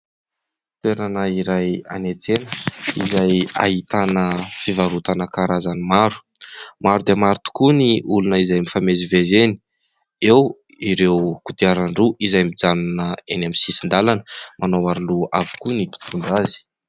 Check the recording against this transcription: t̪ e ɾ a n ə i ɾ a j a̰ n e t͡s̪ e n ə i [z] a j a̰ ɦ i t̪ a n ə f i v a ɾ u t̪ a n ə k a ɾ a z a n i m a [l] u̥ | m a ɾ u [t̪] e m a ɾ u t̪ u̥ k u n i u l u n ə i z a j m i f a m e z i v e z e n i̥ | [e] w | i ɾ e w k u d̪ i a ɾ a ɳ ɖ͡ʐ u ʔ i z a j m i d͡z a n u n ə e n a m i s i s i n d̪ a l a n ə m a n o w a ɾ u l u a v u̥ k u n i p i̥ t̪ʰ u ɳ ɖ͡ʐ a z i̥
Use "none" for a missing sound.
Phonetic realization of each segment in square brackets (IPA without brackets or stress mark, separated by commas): z, ɾ, d̪, e